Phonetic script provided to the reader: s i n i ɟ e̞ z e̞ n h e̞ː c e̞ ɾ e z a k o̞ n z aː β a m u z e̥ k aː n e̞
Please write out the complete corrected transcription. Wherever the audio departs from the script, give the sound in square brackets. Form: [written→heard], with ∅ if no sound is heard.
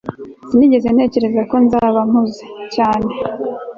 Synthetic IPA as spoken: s i n i ɟ e̞ z e̞ n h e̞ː c e̞ ɾ e z a k o̞ n z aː β a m u z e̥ [k→c] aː n e̞